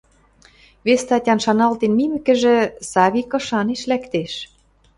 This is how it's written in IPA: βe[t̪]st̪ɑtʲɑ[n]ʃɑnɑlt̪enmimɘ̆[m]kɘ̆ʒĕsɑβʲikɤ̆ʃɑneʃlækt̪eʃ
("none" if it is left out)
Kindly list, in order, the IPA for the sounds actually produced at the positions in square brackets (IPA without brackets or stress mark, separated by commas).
none, n, none